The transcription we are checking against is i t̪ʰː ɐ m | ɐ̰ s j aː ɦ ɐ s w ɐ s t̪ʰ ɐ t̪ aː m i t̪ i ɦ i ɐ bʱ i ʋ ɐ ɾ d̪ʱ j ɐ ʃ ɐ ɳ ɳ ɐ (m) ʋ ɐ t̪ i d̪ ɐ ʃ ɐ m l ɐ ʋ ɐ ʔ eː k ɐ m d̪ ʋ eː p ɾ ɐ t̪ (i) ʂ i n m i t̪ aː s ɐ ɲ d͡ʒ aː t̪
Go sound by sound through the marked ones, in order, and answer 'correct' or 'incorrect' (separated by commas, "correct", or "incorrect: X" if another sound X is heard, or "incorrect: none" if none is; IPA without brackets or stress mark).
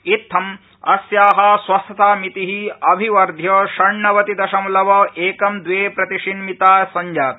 incorrect: none, correct